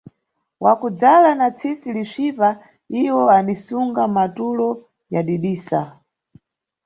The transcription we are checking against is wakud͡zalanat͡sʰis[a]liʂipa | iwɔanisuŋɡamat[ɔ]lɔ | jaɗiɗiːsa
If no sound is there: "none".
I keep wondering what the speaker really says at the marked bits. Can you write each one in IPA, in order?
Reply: i, u

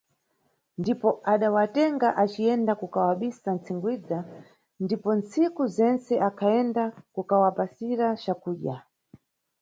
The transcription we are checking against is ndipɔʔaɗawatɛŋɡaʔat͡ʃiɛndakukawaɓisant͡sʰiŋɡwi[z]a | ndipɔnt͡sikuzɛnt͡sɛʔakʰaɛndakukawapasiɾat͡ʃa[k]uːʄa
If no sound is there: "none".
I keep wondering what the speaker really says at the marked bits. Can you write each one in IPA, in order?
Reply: d͡z, k

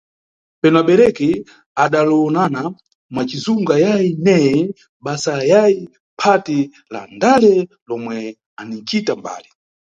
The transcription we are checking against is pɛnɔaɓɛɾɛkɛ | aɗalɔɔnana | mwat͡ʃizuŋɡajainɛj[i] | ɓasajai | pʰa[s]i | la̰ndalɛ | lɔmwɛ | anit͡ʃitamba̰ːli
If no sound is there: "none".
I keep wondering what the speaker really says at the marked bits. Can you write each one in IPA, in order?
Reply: ɛ, t

